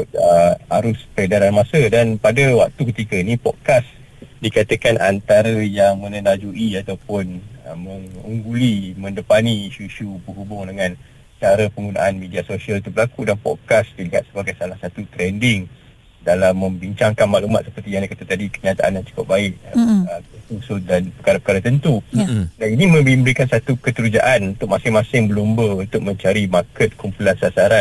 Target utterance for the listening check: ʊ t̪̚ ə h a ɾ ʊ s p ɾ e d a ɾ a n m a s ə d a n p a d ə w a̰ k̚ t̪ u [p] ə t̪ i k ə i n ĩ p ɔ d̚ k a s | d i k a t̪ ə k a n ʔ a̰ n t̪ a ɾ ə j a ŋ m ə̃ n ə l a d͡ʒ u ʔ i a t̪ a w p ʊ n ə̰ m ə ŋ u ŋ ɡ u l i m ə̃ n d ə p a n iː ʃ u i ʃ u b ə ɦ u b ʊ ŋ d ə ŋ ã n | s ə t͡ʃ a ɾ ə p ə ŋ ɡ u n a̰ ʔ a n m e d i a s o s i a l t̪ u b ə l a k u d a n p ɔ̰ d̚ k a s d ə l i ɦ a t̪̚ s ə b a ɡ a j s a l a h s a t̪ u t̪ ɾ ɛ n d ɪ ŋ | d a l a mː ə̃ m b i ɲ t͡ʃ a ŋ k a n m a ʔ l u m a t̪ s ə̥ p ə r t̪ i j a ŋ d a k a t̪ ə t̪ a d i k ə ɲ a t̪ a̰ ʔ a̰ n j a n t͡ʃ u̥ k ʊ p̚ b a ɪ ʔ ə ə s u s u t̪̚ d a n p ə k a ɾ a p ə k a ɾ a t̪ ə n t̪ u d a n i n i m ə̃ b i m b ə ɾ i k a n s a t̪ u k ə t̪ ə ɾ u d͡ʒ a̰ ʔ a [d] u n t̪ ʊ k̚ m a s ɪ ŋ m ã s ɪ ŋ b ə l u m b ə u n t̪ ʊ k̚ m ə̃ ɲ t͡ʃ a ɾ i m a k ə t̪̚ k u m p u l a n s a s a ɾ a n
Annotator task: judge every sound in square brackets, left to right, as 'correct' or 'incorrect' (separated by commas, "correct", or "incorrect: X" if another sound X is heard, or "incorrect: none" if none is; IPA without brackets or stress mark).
incorrect: k, incorrect: n